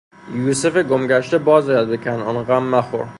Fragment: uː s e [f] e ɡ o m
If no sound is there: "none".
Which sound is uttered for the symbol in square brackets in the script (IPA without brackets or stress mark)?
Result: f